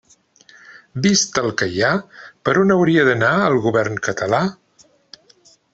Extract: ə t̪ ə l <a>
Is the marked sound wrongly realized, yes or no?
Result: no